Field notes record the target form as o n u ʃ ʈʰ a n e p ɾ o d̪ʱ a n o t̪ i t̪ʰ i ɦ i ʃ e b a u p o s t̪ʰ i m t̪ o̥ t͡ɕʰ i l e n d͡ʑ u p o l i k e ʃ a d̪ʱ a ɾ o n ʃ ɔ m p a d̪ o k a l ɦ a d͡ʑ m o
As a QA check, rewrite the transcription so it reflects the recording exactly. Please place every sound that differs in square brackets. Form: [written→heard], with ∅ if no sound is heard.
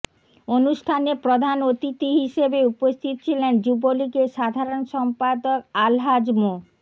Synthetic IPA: o n u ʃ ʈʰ a n e p ɾ o d̪ʱ a n o t̪ i [t̪ʰ→t̪] i ɦ i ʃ e b [a→e] u p o s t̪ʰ i [m→∅] t̪ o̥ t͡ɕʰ i l e n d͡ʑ u [p→b] o l i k e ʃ a d̪ʱ a ɾ o n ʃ ɔ m p a d̪ o k a l ɦ a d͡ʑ m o

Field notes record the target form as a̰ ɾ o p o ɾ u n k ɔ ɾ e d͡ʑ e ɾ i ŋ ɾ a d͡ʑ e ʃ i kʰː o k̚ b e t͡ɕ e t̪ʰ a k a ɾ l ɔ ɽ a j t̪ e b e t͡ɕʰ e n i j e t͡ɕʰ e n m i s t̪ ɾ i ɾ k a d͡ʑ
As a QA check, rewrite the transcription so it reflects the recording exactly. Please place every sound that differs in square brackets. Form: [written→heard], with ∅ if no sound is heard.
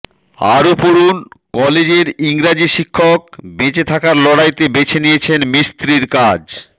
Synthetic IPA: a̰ ɾ o p o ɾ u n k ɔ [ɾ→l] e d͡ʑ e ɾ i ŋ ɾ a d͡ʑ [e→i] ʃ i kʰː o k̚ b e t͡ɕ e t̪ʰ a k a ɾ l ɔ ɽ a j t̪ e b e t͡ɕʰ e n i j e t͡ɕʰ e n m i s t̪ ɾ i ɾ k a d͡ʑ

